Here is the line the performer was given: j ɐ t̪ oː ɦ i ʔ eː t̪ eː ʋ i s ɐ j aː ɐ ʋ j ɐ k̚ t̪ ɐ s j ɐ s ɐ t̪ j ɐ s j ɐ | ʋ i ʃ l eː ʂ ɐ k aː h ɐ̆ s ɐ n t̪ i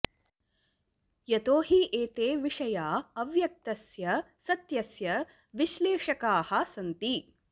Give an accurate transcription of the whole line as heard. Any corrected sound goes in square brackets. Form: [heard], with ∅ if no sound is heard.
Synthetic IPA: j ɐ t̪ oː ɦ i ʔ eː t̪ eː ʋ i [ʂ] ɐ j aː ɐ ʋ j ɐ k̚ t̪ ɐ s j ɐ s ɐ t̪ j ɐ s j ɐ | ʋ i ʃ l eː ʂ ɐ k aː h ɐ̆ s ɐ n t̪ i